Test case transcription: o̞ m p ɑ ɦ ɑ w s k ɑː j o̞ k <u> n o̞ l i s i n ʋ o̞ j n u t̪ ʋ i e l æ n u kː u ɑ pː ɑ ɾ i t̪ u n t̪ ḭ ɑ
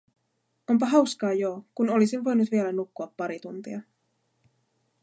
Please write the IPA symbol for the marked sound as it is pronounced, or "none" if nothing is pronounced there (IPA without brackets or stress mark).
u